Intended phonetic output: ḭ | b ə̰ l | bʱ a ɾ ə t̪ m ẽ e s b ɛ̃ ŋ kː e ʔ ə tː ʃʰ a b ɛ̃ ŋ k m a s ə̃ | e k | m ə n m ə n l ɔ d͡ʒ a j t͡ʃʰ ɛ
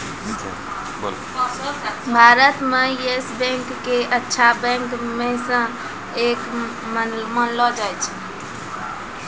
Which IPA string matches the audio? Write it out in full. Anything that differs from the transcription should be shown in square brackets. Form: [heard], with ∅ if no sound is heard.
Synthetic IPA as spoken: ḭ | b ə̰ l | bʱ a ɾ ə t̪ m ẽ e s b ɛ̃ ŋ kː e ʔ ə tː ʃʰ a b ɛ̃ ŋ k m [e] s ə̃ | e k | m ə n m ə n l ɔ d͡ʒ a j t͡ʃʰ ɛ